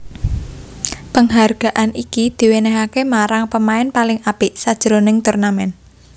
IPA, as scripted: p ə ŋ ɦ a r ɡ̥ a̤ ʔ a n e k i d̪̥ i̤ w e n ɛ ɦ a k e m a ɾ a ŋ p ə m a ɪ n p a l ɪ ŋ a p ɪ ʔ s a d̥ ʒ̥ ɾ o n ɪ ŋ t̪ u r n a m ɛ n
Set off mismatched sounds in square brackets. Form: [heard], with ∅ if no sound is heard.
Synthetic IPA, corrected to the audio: p ə ŋ ɦ a r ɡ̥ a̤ ʔ a n [i] k i d̪̥ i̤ w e n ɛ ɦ a k e m a ɾ a ŋ p ə m a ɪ n p a l ɪ ŋ a p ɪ ʔ s a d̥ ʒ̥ ɾ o n ɪ ŋ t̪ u r n a m ɛ n